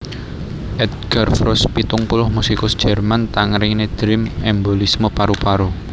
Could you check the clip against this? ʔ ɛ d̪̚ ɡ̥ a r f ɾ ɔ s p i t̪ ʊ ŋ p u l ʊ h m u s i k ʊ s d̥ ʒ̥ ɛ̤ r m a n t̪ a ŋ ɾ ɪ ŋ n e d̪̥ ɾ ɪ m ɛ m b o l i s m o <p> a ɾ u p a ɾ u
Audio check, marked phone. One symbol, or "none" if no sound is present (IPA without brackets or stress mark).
p